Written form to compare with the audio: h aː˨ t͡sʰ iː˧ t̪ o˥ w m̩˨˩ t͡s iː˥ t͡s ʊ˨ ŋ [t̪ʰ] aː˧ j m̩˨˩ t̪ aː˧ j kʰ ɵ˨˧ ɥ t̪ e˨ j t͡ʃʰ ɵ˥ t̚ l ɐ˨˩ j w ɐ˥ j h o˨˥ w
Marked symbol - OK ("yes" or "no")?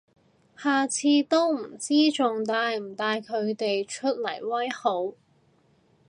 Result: no